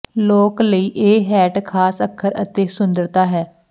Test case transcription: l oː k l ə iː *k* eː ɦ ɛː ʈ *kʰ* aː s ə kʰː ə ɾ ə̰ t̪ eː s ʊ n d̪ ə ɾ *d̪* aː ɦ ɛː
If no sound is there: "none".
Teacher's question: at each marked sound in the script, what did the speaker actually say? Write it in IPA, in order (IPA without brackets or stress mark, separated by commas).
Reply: ʔ, kʰ, t̪